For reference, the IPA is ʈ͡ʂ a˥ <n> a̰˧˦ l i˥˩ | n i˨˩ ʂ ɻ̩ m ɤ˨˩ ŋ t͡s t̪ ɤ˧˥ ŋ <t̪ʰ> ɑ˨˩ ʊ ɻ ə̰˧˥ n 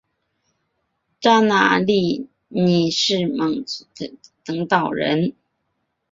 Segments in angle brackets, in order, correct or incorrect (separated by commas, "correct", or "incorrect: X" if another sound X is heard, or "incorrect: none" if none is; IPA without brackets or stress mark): correct, incorrect: t̪